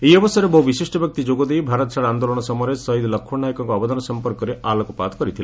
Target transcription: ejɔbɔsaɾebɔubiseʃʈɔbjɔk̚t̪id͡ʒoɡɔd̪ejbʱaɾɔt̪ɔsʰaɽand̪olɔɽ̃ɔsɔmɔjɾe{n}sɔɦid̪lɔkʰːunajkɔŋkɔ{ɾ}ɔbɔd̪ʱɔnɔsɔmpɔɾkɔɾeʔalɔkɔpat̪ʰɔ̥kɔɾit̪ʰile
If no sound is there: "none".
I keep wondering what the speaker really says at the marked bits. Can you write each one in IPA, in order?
none, none

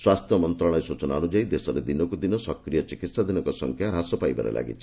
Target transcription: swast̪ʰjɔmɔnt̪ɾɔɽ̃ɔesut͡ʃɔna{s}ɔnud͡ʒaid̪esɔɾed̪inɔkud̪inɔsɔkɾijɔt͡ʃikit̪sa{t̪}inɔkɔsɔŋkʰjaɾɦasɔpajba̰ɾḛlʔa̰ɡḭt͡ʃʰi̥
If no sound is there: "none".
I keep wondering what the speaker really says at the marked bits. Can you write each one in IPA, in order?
none, d̪

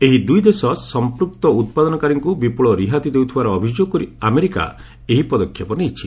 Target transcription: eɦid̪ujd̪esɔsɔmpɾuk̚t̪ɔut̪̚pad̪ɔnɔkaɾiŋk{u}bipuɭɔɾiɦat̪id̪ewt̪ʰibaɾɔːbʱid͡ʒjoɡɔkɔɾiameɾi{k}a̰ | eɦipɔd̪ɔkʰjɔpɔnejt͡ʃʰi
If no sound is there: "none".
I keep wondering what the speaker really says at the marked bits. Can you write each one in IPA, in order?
u, k

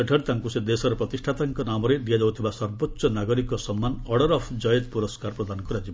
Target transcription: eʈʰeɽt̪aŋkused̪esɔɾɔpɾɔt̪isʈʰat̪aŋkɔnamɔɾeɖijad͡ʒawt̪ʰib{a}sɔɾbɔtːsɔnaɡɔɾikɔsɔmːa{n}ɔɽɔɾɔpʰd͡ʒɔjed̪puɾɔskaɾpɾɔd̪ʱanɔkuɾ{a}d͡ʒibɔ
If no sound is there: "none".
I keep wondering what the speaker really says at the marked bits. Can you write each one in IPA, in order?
a, n, a

